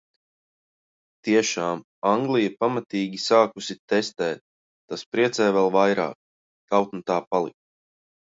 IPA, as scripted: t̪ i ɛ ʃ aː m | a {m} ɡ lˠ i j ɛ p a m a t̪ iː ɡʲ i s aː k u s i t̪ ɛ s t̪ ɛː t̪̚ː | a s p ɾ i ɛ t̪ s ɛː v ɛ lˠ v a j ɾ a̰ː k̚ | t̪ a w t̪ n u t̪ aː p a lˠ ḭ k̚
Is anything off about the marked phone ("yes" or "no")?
yes